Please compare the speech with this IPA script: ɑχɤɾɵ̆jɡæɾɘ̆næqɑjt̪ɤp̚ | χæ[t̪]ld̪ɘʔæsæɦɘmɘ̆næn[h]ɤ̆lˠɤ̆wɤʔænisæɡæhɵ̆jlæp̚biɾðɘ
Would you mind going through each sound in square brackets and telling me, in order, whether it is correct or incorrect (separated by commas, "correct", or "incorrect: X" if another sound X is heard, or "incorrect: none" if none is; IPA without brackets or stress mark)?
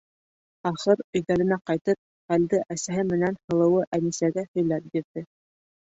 incorrect: none, correct